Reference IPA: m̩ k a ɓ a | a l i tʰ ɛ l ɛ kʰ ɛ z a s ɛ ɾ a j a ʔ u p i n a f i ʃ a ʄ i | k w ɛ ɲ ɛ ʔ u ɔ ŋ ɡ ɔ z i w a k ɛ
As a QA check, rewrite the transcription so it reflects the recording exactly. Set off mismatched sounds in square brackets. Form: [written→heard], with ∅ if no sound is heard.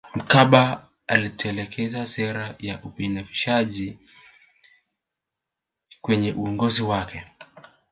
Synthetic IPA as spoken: m̩ k a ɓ a | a l i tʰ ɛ l ɛ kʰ ɛ z a s ɛ ɾ a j a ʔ u p i n a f i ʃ a ʄ i | k w ɛ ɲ ɛ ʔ u ɔ ŋ ɡ ɔ z i w a k ɛ

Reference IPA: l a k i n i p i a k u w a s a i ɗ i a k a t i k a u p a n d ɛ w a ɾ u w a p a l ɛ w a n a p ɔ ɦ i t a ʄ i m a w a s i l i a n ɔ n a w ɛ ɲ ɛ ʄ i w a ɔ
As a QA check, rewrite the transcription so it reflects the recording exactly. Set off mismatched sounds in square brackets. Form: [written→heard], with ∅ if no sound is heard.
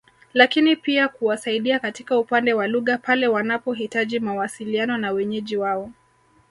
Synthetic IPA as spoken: l a k i n i p i a k u w a s a i ɗ i a k a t i k a u p a n d ɛ w a [ɾ→l] u [w→ɣ] a p a l ɛ w a n a p ɔ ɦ i t a ʄ i m a w a s i l i a n ɔ n a w ɛ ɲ ɛ ʄ i w a ɔ

